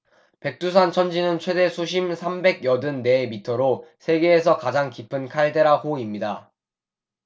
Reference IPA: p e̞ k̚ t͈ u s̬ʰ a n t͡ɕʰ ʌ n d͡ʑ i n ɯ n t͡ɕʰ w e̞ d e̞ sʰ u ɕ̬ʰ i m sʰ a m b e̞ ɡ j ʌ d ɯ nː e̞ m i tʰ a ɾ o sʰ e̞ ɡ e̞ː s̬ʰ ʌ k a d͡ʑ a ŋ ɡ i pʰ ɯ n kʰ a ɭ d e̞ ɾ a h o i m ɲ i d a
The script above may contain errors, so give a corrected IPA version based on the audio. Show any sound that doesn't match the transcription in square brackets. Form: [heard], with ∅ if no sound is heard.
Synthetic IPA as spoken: p e̞ k̚ t͈ u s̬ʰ a n t͡ɕʰ ʌ n d͡ʑ i n ɯ n t͡ɕʰ w e̞ d e̞ sʰ u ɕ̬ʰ i m sʰ a m b e̞ ɡ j ʌ d ɯ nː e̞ m i tʰ [ʌ] ɾ o sʰ e̞ ɡ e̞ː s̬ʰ ʌ k a d͡ʑ a ŋ [k] i pʰ ɯ n kʰ a ɭ d e̞ ɾ a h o i m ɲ i d a